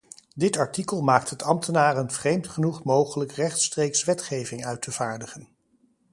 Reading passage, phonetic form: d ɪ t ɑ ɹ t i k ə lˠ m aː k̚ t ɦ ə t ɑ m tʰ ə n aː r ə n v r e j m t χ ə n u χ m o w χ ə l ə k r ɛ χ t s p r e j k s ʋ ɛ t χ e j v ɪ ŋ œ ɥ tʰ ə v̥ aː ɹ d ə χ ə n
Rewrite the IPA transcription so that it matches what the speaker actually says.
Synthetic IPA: d ɪ t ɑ ɹ t i k ə lˠ m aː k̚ t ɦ ə t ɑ m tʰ ə n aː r ə n v r e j m t χ ə n u χ m o w χ ə l ə k r ɛ χ t s t r e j k s ʋ ɛ t χ e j v ɪ ŋ œ ɥ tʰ ə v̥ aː ɹ d ə χ ə n